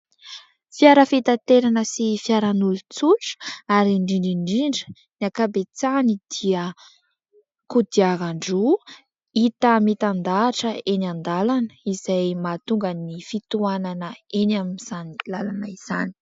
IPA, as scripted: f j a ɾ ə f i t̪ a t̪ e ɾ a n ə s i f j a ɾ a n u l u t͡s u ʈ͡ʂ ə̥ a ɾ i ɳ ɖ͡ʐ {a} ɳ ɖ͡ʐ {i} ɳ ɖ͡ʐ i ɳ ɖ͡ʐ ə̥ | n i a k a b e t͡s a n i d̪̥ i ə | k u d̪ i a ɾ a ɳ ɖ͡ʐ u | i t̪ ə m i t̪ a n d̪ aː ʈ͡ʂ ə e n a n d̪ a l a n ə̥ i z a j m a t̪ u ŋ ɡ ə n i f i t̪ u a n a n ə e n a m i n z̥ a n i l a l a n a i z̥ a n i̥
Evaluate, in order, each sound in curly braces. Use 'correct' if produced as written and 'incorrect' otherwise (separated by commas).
incorrect, correct